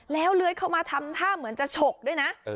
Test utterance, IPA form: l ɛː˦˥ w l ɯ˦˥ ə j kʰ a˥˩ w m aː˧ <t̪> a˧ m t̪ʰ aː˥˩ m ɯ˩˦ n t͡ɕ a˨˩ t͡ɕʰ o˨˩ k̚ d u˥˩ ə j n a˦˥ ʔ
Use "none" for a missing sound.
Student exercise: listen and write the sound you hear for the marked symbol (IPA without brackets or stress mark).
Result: t̪ʰ